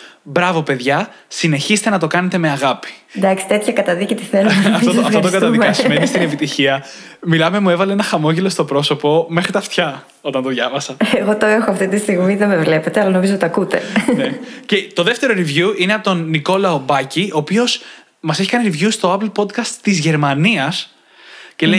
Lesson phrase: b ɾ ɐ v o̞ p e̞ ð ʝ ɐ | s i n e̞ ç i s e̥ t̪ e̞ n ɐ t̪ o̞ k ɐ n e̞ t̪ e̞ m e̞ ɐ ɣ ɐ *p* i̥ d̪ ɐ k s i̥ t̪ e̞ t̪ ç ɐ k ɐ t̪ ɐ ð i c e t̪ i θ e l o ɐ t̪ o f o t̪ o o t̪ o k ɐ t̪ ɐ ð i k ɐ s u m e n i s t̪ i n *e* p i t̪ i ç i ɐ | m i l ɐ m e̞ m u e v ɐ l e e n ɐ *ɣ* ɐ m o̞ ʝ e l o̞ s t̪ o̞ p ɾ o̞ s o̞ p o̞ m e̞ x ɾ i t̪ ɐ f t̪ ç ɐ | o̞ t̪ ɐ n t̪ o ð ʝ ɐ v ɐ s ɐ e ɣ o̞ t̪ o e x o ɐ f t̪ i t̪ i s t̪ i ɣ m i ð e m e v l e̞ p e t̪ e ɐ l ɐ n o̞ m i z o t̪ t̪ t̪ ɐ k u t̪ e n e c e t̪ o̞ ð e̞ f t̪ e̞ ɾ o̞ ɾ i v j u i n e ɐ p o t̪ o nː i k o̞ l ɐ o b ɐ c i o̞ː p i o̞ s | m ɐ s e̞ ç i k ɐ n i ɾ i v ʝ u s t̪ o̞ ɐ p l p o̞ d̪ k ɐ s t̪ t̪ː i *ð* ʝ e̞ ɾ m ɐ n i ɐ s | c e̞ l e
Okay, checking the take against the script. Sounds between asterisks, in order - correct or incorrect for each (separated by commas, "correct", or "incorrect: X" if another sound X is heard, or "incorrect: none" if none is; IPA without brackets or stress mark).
correct, correct, incorrect: x, incorrect: z